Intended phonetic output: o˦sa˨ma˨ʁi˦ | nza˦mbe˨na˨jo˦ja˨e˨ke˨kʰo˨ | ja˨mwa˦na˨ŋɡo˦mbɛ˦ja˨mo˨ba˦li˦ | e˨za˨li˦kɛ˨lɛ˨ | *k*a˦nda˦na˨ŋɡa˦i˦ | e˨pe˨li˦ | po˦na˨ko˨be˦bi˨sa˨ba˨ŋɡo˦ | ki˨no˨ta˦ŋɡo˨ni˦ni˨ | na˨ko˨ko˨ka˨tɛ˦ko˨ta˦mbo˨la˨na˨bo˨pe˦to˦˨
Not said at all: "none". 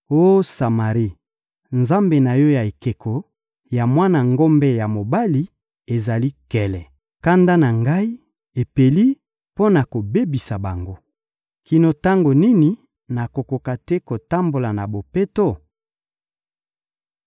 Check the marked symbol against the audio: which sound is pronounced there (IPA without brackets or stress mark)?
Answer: k